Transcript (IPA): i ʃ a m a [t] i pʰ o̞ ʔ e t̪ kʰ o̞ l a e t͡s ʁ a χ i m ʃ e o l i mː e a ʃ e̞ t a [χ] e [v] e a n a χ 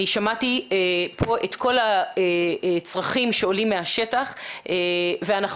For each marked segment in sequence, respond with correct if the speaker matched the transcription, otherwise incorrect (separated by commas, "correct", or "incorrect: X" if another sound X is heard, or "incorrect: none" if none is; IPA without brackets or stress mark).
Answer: correct, correct, correct